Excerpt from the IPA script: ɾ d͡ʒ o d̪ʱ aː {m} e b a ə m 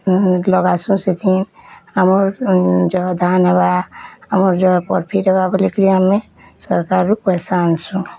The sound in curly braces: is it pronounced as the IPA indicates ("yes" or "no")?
no